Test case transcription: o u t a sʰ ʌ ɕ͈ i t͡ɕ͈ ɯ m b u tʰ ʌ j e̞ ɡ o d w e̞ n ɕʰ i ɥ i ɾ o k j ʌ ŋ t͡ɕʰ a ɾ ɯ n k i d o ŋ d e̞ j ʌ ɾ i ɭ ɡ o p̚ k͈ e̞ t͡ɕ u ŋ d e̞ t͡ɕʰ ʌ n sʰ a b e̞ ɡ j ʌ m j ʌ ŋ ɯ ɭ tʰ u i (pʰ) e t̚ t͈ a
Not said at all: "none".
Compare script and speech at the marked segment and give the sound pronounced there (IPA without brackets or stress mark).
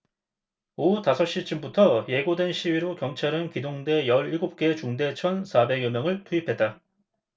pʰ